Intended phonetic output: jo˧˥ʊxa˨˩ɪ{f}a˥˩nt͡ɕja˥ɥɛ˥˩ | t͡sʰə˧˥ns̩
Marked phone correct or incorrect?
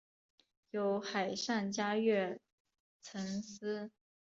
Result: incorrect